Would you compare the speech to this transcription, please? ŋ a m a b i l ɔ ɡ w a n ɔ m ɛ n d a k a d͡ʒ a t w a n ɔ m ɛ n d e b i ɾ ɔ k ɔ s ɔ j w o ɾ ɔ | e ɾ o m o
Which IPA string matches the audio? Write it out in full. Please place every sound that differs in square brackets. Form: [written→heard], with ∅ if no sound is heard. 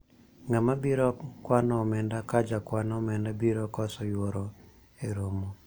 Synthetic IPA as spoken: ŋ a m a b i [l→ɾ] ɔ [ɡ→k] w a n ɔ m ɛ n d a k a d͡ʒ a [t→k] w a n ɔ m ɛ n d [e→a] b i ɾ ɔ k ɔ s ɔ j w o ɾ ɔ | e ɾ o m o